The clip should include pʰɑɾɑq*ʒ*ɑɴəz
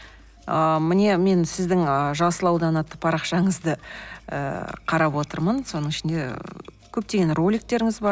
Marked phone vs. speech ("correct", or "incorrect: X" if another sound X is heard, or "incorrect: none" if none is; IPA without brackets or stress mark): incorrect: ʃ